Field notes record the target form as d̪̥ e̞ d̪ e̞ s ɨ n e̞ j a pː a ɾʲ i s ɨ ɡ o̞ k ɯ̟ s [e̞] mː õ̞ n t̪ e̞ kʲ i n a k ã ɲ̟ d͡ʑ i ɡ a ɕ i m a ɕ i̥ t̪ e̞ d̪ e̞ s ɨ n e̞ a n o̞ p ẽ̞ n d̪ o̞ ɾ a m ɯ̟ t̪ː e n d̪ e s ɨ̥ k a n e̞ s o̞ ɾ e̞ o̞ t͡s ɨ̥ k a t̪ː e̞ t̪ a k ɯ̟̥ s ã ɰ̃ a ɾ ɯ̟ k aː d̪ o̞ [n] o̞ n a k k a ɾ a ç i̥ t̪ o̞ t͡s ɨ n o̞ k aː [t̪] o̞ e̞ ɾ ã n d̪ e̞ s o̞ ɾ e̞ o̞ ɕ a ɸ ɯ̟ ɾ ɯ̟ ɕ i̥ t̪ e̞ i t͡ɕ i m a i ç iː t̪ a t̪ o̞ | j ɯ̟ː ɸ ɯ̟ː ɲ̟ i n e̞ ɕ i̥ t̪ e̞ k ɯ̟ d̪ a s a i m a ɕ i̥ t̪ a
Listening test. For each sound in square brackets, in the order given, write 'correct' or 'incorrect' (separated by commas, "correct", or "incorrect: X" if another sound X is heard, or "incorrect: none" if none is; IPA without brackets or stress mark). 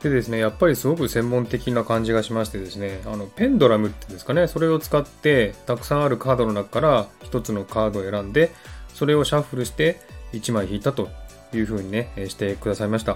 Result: incorrect: ẽ̞, correct, incorrect: d̪